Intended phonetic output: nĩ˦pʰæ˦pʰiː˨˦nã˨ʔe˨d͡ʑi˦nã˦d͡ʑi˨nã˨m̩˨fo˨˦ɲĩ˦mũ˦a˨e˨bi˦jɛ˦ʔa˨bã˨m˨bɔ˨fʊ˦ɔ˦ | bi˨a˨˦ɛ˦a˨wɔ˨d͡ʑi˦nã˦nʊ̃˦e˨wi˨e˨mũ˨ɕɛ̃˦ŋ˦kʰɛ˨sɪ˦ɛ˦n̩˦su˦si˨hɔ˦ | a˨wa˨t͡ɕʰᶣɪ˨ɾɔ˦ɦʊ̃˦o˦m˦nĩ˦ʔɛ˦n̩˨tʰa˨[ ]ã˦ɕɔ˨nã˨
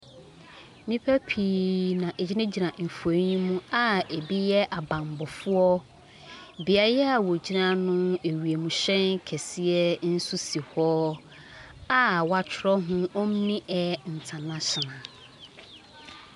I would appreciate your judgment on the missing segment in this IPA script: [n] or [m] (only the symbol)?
n